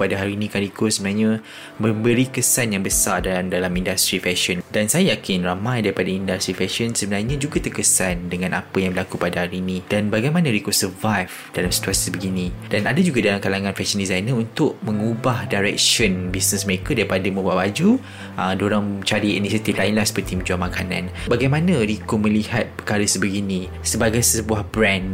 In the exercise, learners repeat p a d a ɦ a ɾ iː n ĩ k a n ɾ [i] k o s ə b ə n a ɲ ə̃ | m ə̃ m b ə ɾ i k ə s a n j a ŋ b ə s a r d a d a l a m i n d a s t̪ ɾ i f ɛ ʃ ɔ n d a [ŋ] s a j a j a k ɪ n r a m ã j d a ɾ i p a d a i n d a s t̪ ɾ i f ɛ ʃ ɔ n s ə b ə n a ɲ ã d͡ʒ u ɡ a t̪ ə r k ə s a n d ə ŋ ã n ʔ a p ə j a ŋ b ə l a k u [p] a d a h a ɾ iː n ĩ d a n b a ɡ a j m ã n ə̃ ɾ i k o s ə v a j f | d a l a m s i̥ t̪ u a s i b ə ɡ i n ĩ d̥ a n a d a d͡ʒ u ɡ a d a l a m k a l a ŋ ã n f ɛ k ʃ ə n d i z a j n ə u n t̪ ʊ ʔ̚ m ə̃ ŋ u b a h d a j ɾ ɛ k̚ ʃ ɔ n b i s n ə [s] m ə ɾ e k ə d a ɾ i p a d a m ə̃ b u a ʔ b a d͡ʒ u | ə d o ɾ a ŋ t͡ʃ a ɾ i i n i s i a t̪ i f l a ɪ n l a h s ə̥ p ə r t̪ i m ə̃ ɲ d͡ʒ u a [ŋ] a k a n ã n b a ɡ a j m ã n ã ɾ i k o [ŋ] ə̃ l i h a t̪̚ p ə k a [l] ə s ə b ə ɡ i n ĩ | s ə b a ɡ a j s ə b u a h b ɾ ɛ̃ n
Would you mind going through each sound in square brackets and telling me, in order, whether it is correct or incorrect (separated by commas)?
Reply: correct, incorrect, correct, correct, incorrect, incorrect, incorrect